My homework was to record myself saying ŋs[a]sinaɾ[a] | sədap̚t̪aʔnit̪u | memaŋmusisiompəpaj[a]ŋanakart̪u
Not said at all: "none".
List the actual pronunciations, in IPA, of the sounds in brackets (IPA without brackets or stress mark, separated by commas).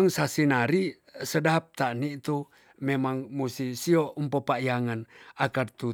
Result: a, i, a